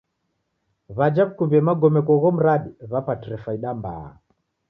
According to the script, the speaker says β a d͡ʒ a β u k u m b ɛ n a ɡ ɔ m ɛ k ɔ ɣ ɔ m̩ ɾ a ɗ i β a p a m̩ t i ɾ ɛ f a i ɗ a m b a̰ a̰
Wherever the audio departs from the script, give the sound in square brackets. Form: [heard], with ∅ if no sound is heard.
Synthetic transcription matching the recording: β a d͡ʒ a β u k u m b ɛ [m] a ɡ ɔ m ɛ k ɔ ɣ ɔ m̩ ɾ a ɗ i β a p a [∅] t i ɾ ɛ f a i ɗ a m b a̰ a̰